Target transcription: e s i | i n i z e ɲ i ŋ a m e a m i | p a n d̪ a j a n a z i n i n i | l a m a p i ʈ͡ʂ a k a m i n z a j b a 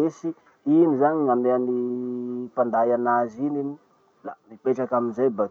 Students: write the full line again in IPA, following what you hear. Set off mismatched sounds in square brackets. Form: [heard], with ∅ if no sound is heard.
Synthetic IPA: e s i | i n i z [a] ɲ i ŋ a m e a [n] i | p a n d̪ a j a n a z i n i n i | l a m [i] p [e] ʈ͡ʂ a k a m i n z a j b a